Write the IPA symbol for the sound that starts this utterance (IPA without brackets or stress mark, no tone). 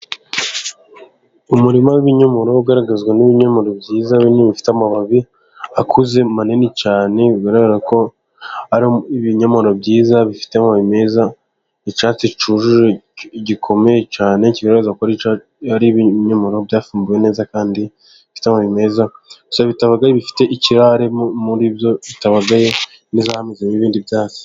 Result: u